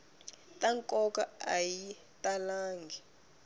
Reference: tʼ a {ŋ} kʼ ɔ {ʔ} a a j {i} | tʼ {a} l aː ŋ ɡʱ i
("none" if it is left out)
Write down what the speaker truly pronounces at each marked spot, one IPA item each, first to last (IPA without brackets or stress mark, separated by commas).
ŋ, k, i, a